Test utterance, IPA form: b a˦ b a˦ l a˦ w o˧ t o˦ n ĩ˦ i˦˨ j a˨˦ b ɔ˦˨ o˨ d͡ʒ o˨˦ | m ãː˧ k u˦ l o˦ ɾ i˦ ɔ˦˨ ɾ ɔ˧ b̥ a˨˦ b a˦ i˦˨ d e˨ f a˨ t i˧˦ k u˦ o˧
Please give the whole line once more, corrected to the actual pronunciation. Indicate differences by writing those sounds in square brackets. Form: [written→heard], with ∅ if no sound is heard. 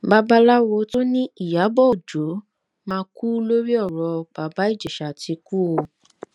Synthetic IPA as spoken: b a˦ b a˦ l a˦ w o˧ t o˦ n ĩ˦ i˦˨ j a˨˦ b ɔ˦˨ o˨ d͡ʒ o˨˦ | m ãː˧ k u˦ l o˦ ɾ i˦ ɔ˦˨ ɾ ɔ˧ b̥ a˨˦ b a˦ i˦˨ [d→d͡ʒ] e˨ [f→ʃ] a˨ t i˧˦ k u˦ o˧